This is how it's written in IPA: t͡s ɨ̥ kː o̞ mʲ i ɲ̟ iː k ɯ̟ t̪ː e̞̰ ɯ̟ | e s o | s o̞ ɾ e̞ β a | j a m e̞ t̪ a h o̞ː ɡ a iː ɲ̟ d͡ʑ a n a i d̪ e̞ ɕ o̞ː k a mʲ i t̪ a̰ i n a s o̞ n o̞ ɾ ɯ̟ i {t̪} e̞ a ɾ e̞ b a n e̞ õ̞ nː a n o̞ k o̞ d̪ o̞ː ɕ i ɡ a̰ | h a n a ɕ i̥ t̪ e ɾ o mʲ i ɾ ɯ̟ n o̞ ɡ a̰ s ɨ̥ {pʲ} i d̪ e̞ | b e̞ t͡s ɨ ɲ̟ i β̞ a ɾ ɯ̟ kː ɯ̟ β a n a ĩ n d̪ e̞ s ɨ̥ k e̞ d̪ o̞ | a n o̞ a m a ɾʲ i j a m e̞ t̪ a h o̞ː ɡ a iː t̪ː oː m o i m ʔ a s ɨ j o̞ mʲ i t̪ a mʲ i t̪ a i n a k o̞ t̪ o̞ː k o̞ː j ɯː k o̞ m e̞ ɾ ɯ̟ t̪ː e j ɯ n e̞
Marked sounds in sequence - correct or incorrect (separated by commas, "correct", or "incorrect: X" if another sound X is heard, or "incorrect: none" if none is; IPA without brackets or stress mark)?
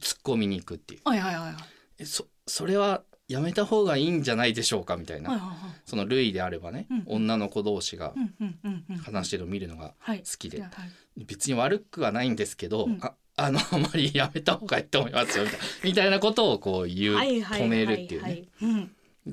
incorrect: d̪, incorrect: kʲ